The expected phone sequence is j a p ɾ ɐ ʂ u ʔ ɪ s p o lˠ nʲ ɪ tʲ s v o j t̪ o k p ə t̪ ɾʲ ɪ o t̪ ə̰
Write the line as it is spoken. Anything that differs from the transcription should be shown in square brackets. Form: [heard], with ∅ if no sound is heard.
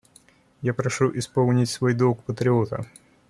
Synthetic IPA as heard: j a p ɾ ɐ ʂ u ʔ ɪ s p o lˠ nʲ ɪ tʲ s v o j [d̪] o k p ə t̪ ɾʲ ɪ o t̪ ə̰